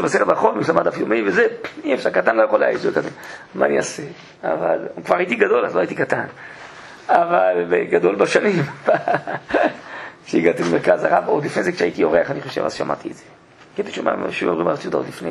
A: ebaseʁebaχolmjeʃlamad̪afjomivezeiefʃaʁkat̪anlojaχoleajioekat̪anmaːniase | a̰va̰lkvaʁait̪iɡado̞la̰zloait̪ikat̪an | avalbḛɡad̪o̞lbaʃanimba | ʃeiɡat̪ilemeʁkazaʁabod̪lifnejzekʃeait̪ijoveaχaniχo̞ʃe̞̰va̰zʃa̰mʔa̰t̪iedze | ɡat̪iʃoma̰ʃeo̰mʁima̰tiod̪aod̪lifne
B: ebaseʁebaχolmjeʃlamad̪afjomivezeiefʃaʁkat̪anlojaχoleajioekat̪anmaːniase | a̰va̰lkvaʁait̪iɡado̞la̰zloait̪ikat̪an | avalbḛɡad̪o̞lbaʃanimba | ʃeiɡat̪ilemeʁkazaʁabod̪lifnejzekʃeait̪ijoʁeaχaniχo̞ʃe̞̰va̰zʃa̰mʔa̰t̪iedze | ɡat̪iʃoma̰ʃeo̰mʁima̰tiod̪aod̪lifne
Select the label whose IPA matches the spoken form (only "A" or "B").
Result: B